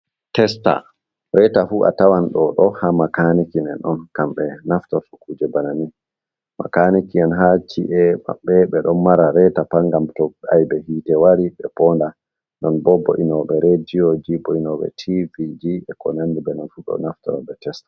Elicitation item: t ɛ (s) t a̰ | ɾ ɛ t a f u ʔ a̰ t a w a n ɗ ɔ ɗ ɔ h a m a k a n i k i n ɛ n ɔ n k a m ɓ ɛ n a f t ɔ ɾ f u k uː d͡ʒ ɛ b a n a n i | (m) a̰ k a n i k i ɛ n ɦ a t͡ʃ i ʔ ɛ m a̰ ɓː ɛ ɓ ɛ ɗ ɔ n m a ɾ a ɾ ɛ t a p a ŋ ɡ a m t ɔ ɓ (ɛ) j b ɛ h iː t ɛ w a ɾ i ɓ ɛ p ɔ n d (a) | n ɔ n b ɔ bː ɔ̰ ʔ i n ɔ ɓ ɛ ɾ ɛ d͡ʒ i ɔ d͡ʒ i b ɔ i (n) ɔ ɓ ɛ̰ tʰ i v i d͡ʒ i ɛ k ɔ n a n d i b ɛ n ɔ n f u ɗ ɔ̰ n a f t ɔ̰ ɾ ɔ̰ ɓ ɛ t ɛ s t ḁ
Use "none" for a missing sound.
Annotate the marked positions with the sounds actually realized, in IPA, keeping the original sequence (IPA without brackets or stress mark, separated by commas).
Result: s, m, a, a, n